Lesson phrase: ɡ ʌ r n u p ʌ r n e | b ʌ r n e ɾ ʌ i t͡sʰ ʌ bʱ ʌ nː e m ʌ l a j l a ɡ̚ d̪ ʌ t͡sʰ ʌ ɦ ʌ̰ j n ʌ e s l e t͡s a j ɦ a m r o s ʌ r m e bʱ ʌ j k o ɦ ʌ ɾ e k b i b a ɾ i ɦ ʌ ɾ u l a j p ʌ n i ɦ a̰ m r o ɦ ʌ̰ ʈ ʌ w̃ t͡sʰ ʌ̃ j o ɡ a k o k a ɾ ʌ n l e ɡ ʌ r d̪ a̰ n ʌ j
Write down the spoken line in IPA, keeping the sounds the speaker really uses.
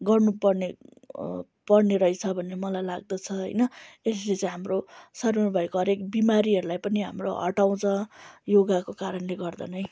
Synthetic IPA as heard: ɡ ʌ r n u p ʌ r n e | p ʌ r n e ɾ ʌ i t͡sʰ ʌ bʱ ʌ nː e m ʌ l a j l a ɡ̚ d̪ ʌ t͡sʰ ʌ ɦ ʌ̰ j n ʌ e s l e t͡s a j ɦ a m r o s ʌ r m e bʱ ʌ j k o ɦ ʌ ɾ e k b i m a ɾ i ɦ ʌ ɾ u l a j p ʌ n i ɦ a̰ m r o ɦ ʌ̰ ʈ a w̃ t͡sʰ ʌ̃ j o ɡ a k o k a ɾ ʌ n l e ɡ ʌ r d̪ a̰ n ʌ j

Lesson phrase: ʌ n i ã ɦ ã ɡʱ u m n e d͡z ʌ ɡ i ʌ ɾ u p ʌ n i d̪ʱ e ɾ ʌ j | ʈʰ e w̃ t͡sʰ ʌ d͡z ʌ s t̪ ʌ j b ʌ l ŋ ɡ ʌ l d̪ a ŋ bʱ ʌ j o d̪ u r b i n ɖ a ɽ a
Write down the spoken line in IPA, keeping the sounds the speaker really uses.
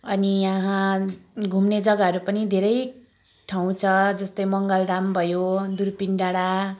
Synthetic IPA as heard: ʌ n i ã ɦ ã ɡʱ u m n e d͡z ʌ ɡ a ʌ ɾ u p ʌ n i d̪ʱ e ɾ ʌ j | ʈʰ a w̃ t͡sʰ ʌ d͡z ʌ s t̪ ʌ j m ʌ ŋ ɡ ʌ l d̪ a m bʱ ʌ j o d̪ u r p i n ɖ a ɽ a

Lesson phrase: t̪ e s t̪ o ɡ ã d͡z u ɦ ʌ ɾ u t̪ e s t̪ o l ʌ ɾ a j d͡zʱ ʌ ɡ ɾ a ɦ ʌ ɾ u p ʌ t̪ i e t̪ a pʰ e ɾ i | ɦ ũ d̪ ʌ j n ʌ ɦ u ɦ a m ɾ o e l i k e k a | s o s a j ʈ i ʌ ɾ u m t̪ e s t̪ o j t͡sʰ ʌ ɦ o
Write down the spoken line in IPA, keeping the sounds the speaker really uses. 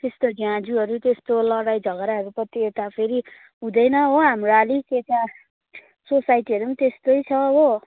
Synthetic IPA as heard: t̪ e s t̪ o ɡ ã d͡z u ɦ ʌ ɾ u t̪ e s t̪ o l ʌ ɽ a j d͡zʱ ʌ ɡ ɾ a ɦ ʌ ɾ u p ʌ t̪ i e t̪ a pʰ e ɾ i | ɦ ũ d̪ ʌ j n ʌ ɦ o ɦ a m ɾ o a l i k e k a | s o s a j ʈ i ʌ ɾ u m t̪ e s t̪ o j t͡sʰ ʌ ɦ o

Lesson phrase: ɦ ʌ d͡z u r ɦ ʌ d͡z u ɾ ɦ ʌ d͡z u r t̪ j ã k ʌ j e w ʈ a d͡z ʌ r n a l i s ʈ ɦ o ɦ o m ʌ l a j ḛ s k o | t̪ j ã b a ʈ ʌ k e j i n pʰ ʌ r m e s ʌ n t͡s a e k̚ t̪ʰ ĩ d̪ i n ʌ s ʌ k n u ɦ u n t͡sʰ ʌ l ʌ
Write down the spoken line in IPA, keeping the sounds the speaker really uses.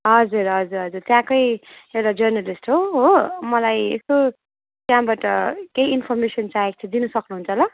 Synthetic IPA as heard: ɦ ʌ d͡z u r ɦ ʌ d͡z u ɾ ɦ ʌ d͡z u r t̪ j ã k ʌ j e w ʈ a d͡z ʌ r n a l i s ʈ ɦ o ɦ o m ʌ l a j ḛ s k o | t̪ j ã b a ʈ ʌ k e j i n pʰ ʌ r m e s ʌ n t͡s a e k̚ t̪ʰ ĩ d̪ i n ʌ s ʌ k n u ɦ u n t͡sʰ ʌ l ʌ

